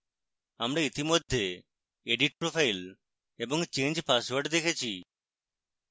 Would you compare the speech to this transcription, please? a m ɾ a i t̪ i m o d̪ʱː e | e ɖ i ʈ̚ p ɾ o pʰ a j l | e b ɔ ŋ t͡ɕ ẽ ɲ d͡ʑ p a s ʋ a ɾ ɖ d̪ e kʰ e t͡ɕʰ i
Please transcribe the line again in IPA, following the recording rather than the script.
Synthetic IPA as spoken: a m ɾ a i t̪ i m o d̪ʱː e | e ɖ i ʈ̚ p ɾ o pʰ a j l | e b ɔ ŋ t͡ɕ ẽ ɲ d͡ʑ p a s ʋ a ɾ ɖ d̪ e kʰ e t͡ɕʰ i